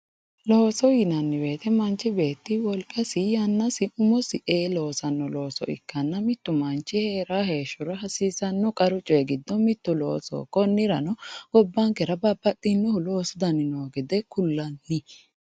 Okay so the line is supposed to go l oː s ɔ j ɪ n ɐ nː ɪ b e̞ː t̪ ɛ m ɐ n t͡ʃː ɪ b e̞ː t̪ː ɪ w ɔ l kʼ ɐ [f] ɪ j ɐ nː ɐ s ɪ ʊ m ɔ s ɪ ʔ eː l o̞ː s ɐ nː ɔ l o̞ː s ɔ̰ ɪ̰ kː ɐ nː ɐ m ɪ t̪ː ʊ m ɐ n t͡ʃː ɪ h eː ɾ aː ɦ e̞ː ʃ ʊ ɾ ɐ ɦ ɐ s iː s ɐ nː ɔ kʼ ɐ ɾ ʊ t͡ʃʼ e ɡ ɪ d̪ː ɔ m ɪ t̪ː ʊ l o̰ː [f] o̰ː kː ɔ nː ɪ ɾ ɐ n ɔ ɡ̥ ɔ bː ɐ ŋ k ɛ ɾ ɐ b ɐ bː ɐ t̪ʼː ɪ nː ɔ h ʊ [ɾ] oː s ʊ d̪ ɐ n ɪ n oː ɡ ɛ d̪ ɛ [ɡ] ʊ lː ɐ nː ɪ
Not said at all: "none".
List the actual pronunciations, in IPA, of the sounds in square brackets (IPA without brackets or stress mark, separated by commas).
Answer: s, s, l, k